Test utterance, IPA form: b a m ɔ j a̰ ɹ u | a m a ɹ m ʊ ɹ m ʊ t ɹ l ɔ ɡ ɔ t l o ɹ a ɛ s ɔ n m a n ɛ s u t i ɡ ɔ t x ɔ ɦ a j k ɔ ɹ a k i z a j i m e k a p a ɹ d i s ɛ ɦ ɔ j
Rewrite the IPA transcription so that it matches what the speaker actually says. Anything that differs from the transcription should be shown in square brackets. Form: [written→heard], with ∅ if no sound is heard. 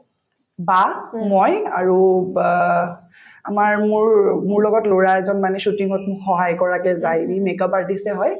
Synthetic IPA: b a m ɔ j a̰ ɹ u | a m a ɹ m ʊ ɹ m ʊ [t→∅] ɹ l ɔ ɡ ɔ t l o ɹ a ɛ [s→z] ɔ n m a n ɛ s u t i [ɡ→ŋ] ɔ t x ɔ ɦ a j k ɔ ɹ a k [i→ɛ] z a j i m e k a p a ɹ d i s ɛ ɦ ɔ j